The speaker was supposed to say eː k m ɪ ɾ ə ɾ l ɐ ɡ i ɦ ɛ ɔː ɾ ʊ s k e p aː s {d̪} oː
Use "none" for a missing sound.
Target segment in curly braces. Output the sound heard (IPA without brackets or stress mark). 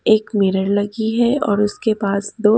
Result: d̪